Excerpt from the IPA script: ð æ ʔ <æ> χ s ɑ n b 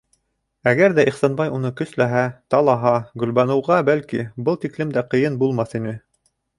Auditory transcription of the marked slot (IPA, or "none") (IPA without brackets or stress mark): i